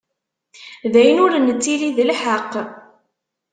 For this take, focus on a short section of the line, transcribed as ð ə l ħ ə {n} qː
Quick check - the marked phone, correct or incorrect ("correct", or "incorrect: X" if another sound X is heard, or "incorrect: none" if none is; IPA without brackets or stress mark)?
incorrect: none